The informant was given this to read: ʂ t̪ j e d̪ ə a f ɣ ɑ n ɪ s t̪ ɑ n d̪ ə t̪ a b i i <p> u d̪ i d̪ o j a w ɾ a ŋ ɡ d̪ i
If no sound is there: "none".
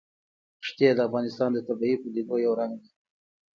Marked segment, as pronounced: p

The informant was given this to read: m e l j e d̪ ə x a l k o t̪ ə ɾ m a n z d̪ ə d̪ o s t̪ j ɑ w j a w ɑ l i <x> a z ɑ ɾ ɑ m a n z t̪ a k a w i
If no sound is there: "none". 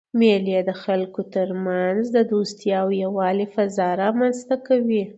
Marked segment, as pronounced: f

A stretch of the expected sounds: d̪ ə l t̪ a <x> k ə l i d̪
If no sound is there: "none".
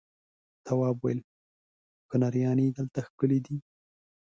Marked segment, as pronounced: x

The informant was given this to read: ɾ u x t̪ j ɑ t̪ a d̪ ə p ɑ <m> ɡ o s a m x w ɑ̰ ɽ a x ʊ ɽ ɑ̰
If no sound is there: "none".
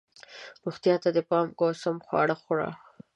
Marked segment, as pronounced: m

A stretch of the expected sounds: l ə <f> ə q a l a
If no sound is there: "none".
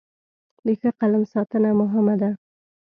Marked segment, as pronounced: x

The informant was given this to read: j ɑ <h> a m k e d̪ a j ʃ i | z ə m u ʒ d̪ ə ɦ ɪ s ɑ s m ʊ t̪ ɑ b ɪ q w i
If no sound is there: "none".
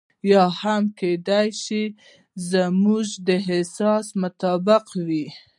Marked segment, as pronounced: h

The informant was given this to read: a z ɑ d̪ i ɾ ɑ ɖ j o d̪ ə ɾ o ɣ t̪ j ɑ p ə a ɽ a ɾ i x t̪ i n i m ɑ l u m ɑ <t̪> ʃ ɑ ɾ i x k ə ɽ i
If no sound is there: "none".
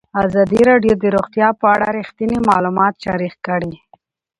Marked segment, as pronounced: t̪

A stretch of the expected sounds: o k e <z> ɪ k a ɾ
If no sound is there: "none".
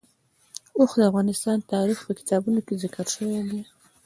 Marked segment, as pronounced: z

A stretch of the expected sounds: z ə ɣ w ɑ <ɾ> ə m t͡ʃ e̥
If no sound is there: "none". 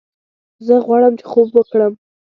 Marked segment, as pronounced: ɽ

